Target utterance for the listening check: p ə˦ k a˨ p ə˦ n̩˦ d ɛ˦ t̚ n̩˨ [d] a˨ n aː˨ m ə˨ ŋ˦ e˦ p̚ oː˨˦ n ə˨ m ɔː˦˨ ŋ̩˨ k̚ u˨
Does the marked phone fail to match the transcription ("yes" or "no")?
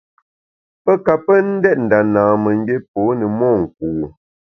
no